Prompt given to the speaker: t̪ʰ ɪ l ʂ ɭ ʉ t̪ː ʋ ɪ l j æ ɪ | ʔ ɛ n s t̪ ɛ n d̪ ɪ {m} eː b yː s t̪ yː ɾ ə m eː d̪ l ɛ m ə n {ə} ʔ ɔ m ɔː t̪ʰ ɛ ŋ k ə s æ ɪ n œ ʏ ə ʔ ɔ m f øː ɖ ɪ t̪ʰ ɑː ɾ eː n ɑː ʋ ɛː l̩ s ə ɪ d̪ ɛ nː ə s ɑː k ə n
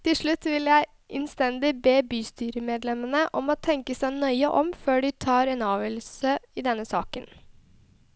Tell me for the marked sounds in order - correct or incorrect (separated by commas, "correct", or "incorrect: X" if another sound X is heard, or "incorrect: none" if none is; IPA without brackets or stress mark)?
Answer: incorrect: b, correct